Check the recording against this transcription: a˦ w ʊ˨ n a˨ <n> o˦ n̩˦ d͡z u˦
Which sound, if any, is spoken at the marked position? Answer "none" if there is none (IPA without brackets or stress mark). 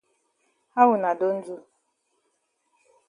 d